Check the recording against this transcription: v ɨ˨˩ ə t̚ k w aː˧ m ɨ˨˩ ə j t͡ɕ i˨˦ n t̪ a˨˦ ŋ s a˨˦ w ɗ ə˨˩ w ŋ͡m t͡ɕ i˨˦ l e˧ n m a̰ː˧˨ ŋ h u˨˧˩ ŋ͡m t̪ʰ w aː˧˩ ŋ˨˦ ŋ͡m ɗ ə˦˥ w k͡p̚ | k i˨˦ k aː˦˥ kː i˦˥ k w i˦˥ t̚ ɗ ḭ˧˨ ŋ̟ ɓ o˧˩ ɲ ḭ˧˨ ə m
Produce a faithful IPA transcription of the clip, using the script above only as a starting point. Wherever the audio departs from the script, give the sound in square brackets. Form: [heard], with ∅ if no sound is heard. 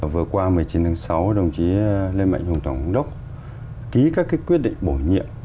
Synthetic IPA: v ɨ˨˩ ə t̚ k w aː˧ m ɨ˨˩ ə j t͡ɕ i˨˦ n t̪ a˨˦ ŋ s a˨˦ w ɗ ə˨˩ w ŋ͡m t͡ɕ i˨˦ l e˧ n m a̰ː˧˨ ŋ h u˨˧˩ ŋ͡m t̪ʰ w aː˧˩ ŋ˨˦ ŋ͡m ɗ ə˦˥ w k͡p̚ | k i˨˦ k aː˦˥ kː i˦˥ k w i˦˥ t̚ ɗ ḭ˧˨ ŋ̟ ɓ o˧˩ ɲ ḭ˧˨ ə m